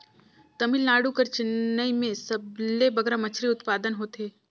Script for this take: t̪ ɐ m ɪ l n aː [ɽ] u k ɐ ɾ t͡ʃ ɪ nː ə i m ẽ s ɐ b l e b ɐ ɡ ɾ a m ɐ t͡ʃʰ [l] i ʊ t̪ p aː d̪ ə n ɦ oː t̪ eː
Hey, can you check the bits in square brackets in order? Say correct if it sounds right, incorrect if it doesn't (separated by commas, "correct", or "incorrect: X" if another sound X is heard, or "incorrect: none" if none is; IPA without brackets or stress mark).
correct, incorrect: ɾ